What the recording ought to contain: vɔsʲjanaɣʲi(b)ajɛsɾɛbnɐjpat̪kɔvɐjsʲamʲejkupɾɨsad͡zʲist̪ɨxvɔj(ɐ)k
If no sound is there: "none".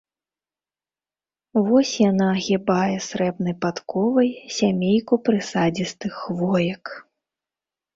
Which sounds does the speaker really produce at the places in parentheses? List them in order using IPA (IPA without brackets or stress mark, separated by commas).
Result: b, ɐ